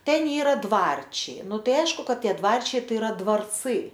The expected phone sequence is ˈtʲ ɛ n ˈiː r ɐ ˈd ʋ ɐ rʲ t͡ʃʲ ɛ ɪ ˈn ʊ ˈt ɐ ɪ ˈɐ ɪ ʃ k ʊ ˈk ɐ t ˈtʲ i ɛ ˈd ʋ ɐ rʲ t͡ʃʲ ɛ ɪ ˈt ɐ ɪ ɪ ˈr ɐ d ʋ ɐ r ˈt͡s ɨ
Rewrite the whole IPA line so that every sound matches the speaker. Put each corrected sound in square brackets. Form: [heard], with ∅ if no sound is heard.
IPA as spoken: ˈtʲ ɛ n ˈiː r ɐ ˈd ʋ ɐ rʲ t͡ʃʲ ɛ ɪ ˈn ʊ ˈt ɐ ɪ ˈɐ ɪ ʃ k ʊ ˈk ɐ t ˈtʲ i ɛ ˈd ʋ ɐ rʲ t͡ʃʲ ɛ ɪ ˈt ɐ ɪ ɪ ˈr ɐ d ʋ ɐ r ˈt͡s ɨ